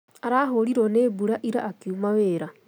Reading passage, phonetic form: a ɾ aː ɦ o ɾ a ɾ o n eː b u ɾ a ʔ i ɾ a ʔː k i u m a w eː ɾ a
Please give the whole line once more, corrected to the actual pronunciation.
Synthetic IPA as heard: a ɾ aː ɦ o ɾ i ɾ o n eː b u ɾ a ʔ i ɾ a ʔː k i u m a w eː ɾ a